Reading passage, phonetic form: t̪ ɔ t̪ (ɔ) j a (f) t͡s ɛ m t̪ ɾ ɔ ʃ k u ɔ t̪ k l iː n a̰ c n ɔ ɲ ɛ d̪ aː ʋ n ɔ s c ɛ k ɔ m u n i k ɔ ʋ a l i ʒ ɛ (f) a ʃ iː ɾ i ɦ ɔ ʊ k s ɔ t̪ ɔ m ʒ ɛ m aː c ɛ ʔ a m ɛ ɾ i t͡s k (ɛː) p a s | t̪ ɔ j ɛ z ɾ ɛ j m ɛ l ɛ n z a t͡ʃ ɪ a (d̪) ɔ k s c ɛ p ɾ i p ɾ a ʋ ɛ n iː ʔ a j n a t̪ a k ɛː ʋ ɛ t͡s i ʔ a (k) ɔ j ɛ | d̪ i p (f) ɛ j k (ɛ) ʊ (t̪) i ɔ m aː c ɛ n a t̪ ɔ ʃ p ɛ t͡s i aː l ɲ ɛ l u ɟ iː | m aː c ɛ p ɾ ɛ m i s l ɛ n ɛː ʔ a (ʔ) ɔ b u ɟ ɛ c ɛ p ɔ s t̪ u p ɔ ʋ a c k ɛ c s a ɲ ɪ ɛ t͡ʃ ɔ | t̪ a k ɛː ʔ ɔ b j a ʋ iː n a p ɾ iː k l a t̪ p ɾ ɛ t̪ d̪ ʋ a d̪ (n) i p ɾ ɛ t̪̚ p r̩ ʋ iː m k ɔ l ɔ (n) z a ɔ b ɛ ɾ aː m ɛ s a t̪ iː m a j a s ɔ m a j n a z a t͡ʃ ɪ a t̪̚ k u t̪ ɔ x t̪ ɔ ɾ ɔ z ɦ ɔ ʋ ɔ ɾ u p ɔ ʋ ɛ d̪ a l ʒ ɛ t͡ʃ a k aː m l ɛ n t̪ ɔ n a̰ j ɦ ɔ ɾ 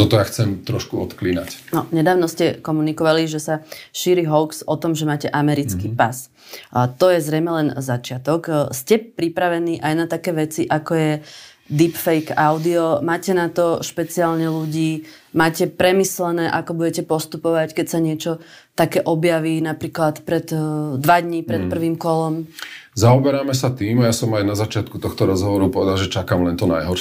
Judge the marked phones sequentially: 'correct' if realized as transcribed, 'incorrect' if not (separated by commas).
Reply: correct, incorrect, incorrect, incorrect, incorrect, correct, correct, incorrect, incorrect, incorrect, incorrect, incorrect